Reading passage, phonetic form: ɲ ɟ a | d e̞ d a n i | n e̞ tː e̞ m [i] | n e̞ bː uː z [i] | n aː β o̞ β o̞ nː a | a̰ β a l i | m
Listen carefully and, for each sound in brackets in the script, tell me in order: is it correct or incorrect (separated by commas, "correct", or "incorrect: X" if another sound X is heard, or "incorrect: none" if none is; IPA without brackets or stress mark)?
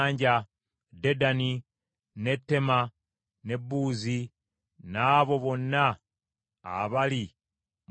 incorrect: a, correct